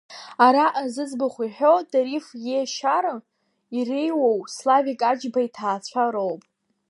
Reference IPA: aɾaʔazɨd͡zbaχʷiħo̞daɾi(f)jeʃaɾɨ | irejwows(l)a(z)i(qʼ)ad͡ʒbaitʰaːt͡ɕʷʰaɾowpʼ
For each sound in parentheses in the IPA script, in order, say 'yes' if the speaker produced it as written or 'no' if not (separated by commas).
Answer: yes, yes, no, no